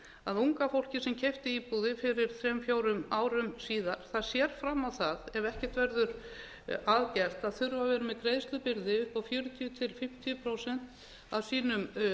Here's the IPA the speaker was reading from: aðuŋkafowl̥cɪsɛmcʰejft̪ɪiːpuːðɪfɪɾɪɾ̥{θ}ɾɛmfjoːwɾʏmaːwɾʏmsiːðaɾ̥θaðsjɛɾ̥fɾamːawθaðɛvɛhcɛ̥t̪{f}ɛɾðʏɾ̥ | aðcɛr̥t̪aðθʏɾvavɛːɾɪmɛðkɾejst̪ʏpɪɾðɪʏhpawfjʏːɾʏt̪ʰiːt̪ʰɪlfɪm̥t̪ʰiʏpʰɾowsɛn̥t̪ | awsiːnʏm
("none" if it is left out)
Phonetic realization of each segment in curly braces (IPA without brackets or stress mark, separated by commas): θ, v